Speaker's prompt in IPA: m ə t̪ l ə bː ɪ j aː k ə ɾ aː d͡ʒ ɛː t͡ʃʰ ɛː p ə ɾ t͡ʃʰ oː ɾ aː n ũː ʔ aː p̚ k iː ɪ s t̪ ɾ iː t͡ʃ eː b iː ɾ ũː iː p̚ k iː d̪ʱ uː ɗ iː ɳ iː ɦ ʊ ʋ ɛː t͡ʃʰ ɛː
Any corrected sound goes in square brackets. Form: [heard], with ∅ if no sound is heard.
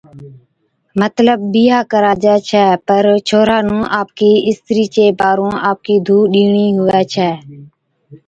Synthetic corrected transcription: m ə t̪ l ə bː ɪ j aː k ə ɾ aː d͡ʒ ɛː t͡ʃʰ ɛː p ə ɾ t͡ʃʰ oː ɾ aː n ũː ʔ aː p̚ k iː ɪ s t̪ ɾ iː t͡ʃ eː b [aː] ɾ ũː [aː] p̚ k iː d̪ʱ uː ɗ iː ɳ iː ɦ ʊ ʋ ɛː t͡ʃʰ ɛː